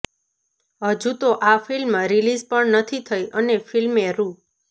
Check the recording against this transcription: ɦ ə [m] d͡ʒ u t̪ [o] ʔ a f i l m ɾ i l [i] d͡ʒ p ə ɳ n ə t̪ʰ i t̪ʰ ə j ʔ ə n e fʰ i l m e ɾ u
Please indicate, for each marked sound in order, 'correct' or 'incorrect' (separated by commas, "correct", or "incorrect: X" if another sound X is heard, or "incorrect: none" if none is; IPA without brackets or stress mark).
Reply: incorrect: none, correct, correct